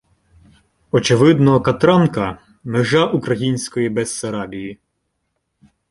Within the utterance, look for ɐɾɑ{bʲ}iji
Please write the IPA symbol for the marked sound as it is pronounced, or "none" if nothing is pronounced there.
bʲ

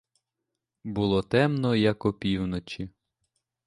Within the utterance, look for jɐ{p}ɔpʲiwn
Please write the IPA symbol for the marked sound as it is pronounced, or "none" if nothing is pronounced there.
k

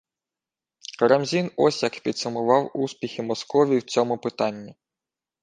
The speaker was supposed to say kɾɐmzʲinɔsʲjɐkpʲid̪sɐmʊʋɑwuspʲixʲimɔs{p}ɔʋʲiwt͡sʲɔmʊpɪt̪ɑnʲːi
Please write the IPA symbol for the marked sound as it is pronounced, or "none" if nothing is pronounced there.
k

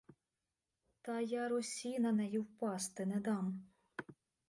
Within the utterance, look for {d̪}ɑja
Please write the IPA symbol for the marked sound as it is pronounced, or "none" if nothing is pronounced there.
t̪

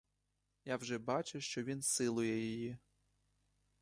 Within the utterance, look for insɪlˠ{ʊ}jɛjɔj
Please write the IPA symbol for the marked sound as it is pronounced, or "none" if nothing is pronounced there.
ʊ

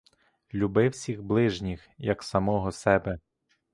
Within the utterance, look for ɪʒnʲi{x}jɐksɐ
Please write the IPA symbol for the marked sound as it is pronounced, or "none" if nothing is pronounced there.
x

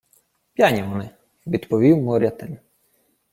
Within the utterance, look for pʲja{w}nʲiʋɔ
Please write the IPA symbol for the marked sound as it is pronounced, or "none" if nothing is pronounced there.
none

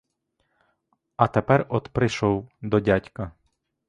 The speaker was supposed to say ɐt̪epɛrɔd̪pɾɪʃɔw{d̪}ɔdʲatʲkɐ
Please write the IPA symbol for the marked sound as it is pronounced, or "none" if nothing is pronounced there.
d̪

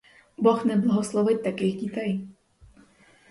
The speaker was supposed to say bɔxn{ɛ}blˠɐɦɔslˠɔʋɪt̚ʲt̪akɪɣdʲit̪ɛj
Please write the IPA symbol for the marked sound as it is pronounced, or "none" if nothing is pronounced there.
ɛ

